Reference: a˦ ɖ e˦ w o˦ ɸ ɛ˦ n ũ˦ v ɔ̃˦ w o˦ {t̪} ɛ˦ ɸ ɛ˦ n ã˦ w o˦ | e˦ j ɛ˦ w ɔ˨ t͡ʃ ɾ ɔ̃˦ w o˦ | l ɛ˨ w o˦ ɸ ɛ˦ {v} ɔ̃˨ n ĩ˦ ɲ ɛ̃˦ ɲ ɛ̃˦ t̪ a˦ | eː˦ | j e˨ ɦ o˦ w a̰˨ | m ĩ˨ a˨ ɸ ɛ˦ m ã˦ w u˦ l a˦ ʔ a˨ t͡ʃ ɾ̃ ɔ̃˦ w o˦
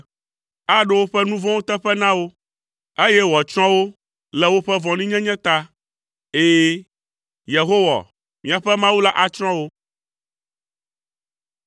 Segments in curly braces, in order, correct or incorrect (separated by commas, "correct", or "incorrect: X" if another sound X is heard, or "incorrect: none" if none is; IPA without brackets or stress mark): correct, correct